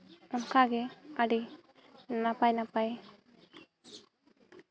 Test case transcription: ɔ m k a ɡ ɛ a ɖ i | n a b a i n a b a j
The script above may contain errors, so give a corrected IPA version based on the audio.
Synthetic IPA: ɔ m k a ɡ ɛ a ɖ i | n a p a j n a p a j